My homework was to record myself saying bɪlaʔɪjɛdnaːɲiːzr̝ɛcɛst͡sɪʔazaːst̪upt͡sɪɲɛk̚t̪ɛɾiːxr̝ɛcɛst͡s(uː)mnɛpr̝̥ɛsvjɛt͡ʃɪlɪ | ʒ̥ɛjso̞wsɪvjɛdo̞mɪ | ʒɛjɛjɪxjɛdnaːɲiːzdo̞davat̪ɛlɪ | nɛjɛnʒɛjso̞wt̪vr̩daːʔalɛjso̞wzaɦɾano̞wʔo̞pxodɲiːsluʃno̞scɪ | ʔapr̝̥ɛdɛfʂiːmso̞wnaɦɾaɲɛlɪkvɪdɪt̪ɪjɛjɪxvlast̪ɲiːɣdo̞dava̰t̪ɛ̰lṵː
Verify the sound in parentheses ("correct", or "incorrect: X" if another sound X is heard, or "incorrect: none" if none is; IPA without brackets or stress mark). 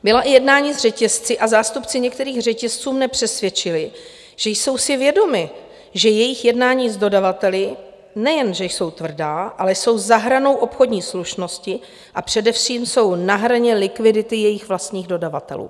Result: correct